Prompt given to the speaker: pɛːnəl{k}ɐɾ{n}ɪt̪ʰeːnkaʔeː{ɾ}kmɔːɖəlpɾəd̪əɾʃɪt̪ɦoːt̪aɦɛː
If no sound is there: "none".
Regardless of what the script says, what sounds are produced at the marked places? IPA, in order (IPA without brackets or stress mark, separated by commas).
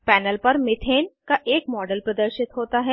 p, m, none